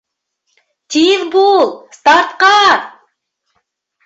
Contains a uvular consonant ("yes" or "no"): yes